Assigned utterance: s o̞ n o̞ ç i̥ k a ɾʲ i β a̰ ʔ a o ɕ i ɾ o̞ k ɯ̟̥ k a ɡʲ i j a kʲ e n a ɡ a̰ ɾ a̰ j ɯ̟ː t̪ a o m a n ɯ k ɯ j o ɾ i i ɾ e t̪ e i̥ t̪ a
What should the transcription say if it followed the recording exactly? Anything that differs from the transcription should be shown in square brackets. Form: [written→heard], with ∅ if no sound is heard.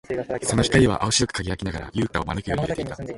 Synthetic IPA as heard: s o̞ n o̞ ç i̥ k a ɾʲ i β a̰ ʔ a o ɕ i ɾ o̞ k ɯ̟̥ k a ɡʲ i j a kʲ [e→i] n a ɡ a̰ ɾ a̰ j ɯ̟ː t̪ a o m a n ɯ k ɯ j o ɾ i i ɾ e t̪ e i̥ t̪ a